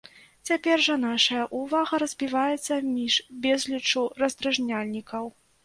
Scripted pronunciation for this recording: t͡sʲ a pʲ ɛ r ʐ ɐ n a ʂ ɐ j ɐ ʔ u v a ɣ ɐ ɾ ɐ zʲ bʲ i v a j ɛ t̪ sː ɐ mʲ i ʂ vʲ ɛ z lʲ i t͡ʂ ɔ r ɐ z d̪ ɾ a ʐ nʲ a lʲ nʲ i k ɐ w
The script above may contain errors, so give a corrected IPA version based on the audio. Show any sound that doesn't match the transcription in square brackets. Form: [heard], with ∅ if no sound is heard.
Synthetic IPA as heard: t͡sʲ a pʲ ɛ r ʐ ɐ n a ʂ ɐ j ɐ ʔ u v a ɣ ɐ ɾ ɐ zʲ bʲ i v a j ɛ t̪ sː ɐ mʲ i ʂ [bʲ] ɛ z lʲ i t͡ʂ [u] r ɐ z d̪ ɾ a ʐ nʲ a lʲ nʲ i k ɐ w